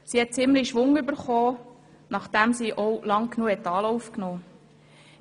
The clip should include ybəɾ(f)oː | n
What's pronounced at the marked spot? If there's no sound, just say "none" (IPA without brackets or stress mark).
χ